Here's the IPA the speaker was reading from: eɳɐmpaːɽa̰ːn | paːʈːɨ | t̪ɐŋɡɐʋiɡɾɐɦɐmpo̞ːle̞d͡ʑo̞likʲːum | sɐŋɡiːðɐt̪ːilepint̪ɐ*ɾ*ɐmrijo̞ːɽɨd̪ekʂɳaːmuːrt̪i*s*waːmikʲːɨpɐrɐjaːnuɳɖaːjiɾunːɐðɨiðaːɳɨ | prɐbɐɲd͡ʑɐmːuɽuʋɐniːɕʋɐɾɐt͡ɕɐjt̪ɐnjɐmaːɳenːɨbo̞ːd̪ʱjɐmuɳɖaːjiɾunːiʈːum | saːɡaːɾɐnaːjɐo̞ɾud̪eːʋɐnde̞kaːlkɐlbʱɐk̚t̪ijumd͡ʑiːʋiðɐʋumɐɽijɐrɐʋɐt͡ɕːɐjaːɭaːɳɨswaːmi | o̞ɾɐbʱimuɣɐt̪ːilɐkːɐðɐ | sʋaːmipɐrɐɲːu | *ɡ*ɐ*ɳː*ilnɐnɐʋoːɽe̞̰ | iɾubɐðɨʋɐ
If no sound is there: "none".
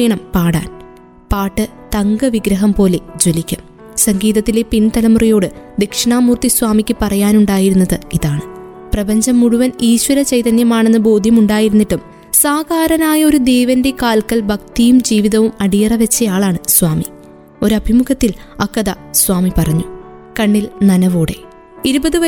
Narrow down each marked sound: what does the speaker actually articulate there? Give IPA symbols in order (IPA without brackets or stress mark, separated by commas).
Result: l, s, k, ɳː